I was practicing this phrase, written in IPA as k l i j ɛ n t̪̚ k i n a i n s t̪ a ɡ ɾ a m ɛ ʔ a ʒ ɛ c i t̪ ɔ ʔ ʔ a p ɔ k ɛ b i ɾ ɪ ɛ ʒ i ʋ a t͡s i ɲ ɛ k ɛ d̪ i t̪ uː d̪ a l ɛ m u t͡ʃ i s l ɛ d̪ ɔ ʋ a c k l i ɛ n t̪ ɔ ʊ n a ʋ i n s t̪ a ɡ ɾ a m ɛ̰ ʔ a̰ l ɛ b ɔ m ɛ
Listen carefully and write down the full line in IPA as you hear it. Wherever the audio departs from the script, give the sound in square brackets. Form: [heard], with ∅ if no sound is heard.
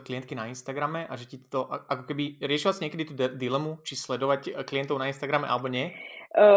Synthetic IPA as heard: k l i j ɛ n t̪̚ k i n a i n s t̪ a ɡ ɾ a m ɛ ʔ a ʒ ɛ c i t̪ ɔ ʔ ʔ a [k] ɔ k ɛ b i ɾ ɪ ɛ [ʃ] i ʋ a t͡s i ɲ ɛ k ɛ d̪ i t̪ uː d̪ [i] l ɛ m u t͡ʃ i s l ɛ d̪ ɔ ʋ a c k l i ɛ n t̪ ɔ ʊ n a [∅] i n s t̪ a ɡ ɾ a m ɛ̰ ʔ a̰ l ɛ b ɔ [ɲ] ɛ